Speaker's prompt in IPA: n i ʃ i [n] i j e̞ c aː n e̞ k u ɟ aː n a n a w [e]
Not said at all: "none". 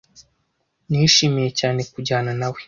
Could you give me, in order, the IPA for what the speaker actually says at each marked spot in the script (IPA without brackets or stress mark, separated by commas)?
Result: m, e